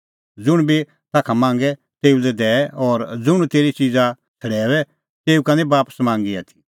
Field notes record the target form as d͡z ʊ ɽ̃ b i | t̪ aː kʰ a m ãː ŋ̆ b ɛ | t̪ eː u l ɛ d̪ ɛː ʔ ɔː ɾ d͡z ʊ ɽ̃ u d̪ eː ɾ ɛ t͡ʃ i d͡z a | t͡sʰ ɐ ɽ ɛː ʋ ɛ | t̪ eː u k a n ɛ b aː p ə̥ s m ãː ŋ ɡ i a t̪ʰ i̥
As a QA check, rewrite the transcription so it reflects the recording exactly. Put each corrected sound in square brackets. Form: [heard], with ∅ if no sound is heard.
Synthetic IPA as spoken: d͡z ʊ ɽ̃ b i | t̪ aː kʰ a m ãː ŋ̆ [ɡ] ɛ | t̪ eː u l ɛ d̪ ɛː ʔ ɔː ɾ d͡z ʊ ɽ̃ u [t̪] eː ɾ [i] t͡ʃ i d͡z a | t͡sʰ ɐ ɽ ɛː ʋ ɛ | t̪ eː u k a n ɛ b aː p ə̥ s m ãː ŋ ɡ i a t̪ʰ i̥